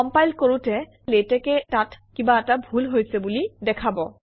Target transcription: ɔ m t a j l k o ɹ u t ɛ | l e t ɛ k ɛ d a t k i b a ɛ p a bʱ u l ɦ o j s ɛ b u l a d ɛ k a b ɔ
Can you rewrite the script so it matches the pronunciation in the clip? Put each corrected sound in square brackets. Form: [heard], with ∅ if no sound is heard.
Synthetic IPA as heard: ɔ m [p] a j l k o ɹ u t ɛ | l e t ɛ k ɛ [t] a t k i b a ɛ [t] a bʱ u l ɦ o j s ɛ b u l [i] d ɛ [kʰ] a b ɔ